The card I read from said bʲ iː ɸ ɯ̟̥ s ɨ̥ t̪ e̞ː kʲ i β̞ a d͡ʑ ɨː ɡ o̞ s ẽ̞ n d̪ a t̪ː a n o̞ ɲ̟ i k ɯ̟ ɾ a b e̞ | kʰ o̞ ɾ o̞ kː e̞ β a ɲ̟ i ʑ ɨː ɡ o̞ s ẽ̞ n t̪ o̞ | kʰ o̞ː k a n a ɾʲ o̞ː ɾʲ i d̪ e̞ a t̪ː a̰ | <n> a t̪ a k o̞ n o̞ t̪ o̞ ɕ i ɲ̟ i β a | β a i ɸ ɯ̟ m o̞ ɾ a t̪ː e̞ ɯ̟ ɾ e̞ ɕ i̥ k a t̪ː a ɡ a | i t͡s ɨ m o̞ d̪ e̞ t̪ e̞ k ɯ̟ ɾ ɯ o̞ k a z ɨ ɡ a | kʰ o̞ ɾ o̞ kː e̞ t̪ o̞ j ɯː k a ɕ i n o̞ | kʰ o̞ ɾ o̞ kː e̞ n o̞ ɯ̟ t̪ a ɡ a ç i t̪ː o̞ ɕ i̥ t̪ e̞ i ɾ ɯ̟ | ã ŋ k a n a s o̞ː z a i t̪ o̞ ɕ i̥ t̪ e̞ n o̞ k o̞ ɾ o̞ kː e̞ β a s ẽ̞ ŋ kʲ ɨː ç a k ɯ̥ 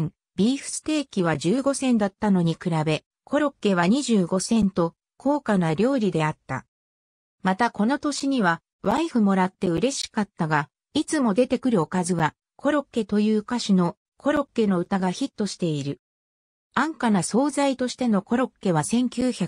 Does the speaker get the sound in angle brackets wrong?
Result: yes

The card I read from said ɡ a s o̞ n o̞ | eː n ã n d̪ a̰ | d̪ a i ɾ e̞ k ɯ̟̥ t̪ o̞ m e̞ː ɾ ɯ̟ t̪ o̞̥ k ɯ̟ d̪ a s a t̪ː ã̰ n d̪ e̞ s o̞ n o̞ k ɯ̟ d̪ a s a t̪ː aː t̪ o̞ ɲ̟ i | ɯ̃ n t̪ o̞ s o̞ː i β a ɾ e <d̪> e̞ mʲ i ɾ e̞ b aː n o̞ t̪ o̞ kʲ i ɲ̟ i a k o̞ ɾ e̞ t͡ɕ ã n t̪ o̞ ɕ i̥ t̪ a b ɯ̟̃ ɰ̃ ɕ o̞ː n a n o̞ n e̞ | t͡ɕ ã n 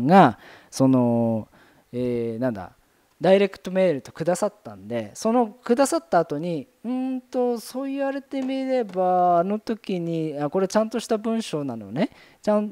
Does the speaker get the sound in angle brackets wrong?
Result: yes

